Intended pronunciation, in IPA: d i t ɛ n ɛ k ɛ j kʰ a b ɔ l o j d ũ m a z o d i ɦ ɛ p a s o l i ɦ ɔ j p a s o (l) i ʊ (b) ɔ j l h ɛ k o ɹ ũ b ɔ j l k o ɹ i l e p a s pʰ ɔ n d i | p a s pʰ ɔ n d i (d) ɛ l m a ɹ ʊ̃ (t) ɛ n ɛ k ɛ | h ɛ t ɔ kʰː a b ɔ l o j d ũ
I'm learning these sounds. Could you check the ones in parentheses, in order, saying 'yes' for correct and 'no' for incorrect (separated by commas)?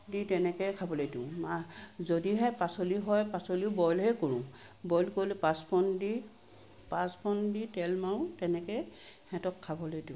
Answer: yes, yes, no, yes